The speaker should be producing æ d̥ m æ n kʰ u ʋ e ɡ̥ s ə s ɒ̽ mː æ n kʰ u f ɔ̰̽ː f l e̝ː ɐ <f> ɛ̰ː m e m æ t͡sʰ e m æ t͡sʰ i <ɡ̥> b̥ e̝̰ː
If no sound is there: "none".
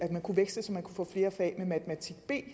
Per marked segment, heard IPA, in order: f, ɡ̥

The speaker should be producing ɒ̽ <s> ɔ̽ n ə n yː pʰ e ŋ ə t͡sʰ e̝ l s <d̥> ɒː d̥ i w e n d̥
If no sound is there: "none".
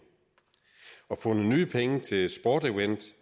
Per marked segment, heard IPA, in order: f, b̥

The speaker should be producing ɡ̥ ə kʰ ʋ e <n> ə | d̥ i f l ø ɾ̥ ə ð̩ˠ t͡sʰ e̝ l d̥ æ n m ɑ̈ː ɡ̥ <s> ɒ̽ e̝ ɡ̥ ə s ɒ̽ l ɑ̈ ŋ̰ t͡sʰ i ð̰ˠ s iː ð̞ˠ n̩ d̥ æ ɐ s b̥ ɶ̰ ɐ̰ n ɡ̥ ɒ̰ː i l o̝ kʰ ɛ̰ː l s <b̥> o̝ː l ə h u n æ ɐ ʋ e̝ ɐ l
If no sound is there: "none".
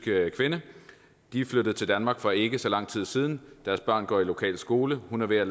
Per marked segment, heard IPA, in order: n, f, ɡ̥

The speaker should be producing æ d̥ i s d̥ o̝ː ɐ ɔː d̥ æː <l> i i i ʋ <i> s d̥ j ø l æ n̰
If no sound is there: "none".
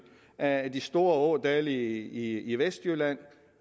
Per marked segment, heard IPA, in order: l, e

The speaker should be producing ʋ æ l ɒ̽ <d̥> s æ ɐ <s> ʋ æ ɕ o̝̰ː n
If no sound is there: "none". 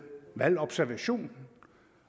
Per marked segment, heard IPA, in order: b̥, none

